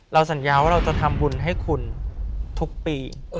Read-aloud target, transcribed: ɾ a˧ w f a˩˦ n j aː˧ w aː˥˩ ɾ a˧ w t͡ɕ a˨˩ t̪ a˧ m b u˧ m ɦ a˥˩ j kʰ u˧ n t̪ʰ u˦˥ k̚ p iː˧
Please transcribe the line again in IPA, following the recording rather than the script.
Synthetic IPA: ɾ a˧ w s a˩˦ n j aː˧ w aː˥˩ ɾ a˧ w t͡ɕ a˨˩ t̪ʰ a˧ m b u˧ n ɦ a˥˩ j kʰ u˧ n t̪ʰ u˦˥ k̚ p iː˧